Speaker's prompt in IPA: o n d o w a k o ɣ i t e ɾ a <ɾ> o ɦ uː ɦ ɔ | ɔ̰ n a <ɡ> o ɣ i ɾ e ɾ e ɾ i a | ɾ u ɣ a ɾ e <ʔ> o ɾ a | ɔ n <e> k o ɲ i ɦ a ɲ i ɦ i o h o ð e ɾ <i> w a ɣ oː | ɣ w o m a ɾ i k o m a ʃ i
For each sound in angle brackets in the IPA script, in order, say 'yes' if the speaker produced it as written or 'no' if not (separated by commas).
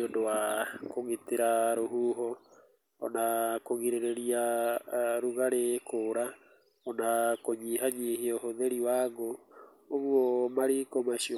yes, no, no, no, yes